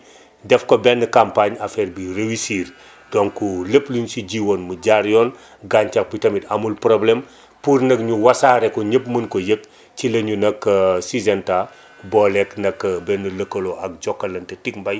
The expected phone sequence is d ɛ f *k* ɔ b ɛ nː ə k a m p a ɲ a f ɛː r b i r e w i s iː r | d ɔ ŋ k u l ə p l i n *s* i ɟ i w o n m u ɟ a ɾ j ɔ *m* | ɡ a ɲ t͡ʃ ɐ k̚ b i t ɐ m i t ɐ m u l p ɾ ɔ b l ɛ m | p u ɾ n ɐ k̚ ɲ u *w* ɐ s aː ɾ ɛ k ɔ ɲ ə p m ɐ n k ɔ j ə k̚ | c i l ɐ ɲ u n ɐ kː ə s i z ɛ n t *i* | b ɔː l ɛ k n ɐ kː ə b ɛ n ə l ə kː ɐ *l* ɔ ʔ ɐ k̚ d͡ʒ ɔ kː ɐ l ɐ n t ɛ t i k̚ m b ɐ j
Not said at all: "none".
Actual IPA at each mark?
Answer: k, s, n, w, a, l

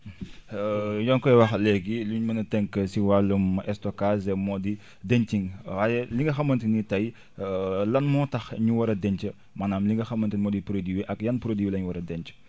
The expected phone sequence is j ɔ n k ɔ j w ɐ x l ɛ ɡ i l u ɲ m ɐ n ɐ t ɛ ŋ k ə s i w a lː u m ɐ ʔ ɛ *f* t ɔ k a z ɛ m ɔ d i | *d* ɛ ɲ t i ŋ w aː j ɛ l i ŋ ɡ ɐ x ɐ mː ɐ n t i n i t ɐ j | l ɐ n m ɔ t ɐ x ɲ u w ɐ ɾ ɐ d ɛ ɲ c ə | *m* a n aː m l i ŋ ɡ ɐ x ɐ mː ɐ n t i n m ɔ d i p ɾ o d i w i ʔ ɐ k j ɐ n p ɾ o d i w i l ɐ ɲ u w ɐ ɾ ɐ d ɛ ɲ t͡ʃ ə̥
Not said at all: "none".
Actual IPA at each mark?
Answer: s, d, m

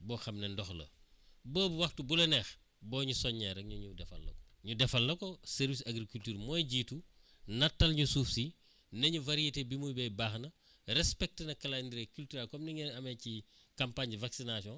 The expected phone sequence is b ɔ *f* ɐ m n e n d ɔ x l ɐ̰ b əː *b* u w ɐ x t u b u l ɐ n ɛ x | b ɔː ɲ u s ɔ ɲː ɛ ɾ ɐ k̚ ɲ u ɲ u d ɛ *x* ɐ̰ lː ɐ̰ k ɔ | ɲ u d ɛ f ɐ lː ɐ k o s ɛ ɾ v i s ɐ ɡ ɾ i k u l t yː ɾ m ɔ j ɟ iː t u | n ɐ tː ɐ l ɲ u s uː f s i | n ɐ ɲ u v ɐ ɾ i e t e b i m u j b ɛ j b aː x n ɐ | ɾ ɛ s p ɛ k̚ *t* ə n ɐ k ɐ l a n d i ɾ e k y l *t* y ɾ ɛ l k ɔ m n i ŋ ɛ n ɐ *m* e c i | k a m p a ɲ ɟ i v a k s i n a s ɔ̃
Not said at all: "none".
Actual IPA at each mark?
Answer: x, b, f, t, t, m

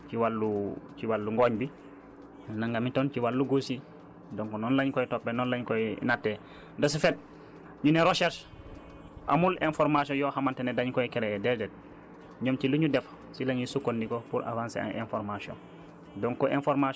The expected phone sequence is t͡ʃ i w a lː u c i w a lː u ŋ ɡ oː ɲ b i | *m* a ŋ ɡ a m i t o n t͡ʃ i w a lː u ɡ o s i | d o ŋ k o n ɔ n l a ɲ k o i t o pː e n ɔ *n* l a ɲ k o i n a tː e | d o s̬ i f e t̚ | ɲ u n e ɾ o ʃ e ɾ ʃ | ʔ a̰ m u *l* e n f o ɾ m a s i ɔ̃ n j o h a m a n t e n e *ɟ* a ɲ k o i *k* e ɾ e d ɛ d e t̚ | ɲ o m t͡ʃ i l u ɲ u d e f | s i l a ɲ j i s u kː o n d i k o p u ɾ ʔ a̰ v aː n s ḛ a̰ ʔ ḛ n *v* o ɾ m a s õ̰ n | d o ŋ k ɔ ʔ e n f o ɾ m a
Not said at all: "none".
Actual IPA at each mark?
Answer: n, n, l, d, k, f

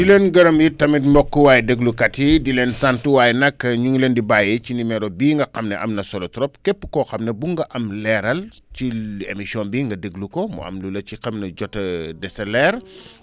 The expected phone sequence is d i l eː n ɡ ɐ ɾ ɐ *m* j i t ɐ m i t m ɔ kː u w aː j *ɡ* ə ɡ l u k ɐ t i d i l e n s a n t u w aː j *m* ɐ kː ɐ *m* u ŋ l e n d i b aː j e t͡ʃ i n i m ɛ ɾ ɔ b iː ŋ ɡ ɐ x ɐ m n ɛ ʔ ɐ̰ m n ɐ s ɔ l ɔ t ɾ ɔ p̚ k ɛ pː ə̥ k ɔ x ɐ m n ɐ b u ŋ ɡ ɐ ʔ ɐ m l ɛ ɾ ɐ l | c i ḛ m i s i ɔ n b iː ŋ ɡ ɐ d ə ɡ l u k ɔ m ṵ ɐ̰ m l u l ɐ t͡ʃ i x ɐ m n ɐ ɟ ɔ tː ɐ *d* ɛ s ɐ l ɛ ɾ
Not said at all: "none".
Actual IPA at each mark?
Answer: m, d, n, ɲ, d

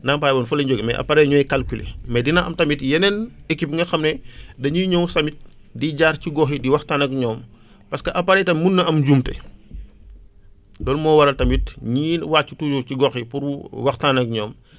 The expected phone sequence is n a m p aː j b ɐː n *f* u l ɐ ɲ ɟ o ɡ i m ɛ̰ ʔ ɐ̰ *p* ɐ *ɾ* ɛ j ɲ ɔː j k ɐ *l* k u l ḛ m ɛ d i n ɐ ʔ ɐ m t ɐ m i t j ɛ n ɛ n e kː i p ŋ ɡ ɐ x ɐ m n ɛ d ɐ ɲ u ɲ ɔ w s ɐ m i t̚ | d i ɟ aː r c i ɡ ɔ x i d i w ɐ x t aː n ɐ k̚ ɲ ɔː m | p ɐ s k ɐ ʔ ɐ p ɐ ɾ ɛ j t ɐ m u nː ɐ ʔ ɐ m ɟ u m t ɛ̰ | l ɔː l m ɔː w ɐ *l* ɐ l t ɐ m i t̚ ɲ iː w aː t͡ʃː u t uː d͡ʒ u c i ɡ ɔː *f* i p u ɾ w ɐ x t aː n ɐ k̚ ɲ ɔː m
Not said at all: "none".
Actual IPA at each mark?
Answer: f, p, ɾ, l, ɾ, x

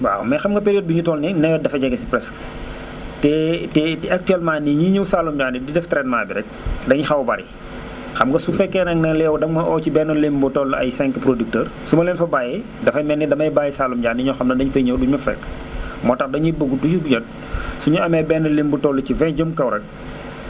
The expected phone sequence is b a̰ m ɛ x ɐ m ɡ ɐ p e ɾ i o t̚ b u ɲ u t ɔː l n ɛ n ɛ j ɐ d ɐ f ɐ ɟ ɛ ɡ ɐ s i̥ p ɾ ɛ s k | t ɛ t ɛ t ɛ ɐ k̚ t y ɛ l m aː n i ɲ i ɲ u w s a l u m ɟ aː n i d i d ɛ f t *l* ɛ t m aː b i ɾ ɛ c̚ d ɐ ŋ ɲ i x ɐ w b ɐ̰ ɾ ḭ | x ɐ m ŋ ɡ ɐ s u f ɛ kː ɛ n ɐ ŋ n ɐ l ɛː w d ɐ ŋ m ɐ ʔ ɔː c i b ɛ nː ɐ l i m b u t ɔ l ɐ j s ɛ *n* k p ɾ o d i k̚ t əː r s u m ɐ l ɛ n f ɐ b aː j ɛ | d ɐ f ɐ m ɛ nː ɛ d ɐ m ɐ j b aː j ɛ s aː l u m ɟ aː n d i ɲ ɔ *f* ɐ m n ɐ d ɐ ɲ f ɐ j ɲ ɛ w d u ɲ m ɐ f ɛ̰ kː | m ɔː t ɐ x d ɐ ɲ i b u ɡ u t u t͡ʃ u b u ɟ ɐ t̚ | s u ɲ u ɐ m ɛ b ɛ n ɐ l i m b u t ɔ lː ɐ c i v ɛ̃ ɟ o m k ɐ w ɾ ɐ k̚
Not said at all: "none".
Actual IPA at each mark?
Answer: ɾ, ŋ, x

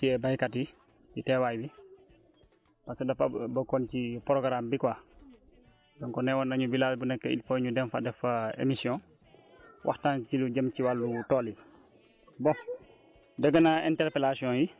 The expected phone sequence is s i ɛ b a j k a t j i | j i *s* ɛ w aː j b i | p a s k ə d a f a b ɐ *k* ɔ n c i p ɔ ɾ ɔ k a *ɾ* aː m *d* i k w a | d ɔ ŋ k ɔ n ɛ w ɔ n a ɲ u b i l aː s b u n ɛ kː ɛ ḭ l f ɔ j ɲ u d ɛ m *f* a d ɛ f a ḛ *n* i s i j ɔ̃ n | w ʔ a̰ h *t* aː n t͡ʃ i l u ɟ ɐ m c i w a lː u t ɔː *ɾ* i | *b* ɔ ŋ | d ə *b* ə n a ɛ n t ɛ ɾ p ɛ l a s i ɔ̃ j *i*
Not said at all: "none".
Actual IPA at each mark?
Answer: t, k, ɾ, b, f, m, t, l, b, ɡ, i

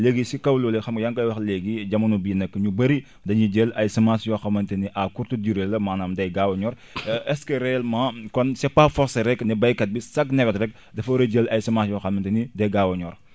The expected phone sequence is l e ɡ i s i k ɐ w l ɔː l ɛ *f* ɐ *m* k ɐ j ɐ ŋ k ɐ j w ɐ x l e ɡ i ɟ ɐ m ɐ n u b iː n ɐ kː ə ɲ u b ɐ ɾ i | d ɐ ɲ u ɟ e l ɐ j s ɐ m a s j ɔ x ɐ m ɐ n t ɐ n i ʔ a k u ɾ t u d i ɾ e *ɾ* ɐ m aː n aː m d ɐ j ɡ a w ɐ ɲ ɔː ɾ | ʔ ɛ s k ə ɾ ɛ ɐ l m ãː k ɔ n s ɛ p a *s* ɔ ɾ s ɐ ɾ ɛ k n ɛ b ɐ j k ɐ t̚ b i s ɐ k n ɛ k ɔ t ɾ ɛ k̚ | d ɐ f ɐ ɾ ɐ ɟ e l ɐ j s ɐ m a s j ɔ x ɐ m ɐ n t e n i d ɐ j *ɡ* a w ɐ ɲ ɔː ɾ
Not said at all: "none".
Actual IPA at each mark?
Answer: x, m, l, f, ɡ

